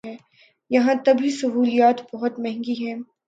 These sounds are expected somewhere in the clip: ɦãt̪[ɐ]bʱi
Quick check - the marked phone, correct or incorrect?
correct